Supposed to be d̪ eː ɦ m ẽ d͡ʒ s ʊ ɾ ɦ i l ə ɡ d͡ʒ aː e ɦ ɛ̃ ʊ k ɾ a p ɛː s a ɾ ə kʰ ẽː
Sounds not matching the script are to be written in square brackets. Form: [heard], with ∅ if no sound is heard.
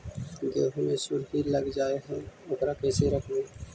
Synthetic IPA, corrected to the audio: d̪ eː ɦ m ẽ [∅] s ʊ ɾ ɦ i l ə ɡ d͡ʒ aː e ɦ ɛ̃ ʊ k ɾ a [k] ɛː s [e] ɾ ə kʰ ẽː